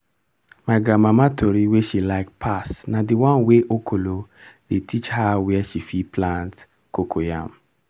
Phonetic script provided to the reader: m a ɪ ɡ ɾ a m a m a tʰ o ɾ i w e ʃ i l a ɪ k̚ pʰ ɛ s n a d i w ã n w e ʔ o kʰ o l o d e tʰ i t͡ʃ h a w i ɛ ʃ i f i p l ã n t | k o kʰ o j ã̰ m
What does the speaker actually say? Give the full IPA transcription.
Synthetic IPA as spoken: m a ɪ ɡ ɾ a m a m a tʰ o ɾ i w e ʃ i l a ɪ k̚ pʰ a s n a d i w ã n w e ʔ o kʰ o l o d e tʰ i t͡ʃ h a w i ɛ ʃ i f i p l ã n t | k o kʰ o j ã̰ m